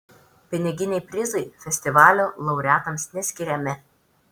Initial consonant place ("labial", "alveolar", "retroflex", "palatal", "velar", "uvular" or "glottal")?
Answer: labial